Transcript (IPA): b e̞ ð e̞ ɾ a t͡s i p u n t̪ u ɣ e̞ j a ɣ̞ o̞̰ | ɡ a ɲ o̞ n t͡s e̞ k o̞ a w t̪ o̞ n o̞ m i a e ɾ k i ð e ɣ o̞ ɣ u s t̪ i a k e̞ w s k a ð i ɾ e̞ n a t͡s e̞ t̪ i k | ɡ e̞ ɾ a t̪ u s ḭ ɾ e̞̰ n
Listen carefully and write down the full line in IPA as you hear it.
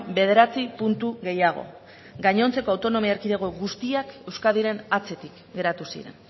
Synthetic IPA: b e̞ ð e̞ ɾ a t͡s i p u n t̪ u ɣ e̞ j a ɣ̞ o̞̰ | ɡ a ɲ o̞ n t͡s e̞ k o̞ a w t̪ o̞ n o̞ m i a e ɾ k i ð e ɣ o̞ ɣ u s t̪ i a k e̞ w s k a ð i ɾ e̞ n a t͡s e̞ t̪ i k | ɡ e̞ ɾ a t̪ u s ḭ ɾ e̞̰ n